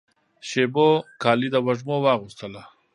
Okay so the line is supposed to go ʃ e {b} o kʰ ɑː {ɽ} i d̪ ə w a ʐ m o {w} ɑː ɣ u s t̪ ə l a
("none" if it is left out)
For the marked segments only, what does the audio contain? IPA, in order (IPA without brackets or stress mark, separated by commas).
b, l, w